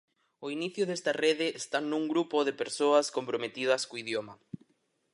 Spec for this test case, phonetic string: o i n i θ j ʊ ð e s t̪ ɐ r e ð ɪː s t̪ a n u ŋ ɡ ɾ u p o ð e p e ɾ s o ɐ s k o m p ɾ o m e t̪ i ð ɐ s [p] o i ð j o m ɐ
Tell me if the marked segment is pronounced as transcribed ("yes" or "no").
no